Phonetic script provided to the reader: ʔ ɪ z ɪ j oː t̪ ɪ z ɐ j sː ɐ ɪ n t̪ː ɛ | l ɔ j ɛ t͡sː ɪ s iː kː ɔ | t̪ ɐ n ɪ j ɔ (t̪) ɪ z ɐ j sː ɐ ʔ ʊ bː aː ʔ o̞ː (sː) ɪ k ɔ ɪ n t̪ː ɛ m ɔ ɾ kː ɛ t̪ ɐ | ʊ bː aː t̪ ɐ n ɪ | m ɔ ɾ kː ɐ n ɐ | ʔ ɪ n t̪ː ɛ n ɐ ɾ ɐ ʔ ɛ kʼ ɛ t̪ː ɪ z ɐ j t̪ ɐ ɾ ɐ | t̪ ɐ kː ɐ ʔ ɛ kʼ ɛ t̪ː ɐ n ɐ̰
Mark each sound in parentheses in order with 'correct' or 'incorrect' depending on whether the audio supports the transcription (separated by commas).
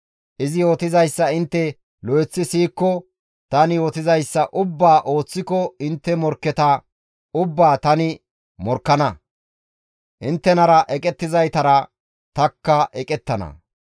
correct, incorrect